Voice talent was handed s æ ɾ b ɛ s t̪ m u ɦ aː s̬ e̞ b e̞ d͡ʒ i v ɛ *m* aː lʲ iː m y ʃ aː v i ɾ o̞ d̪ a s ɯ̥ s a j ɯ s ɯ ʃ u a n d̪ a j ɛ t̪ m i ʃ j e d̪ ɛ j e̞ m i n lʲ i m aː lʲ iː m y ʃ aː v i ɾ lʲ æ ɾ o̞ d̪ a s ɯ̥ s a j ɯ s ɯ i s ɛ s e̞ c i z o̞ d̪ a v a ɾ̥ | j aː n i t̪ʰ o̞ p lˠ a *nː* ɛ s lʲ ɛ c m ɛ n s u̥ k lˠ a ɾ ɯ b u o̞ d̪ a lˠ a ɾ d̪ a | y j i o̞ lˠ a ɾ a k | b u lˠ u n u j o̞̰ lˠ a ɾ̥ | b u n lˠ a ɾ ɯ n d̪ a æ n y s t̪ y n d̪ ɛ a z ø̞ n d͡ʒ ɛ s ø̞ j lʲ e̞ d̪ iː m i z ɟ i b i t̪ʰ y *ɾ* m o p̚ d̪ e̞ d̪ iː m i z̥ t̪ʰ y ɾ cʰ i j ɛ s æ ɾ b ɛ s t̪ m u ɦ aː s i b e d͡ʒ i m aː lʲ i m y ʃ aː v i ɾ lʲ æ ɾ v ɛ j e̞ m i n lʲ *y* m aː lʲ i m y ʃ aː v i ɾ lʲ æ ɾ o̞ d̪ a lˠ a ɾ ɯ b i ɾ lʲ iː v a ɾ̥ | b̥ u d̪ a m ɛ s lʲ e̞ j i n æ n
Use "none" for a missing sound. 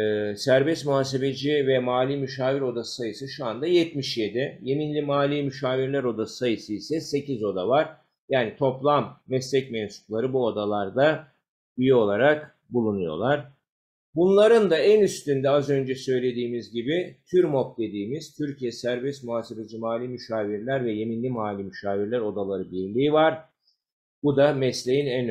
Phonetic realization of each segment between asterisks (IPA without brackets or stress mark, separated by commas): m, mː, ɾ, i